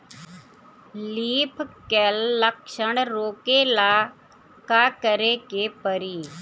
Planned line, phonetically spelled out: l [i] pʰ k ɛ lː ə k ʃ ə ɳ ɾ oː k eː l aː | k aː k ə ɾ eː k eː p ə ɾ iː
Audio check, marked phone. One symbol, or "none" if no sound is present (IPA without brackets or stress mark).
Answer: iː